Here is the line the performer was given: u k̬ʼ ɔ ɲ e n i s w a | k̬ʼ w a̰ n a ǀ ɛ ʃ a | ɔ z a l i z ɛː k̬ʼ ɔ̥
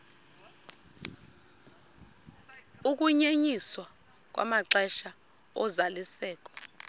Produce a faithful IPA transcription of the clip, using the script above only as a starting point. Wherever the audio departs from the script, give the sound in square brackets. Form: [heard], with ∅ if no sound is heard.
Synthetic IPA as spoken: u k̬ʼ [u] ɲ e [ɲ] i s w a | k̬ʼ w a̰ [m] a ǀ ɛ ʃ a | ɔ z a l i [s] ɛː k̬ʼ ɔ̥